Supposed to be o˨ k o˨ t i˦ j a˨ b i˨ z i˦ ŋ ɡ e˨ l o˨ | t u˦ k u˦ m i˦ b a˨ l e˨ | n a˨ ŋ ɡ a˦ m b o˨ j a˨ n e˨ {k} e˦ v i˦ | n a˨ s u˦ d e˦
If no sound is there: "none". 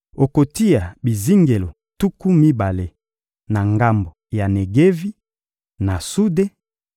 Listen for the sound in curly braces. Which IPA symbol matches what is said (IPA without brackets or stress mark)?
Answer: ɡ